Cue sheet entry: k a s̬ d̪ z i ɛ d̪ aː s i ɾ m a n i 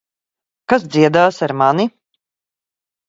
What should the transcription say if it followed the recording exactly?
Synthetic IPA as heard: k a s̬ d̪ z i ɛ d̪ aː s a ɾ m a n i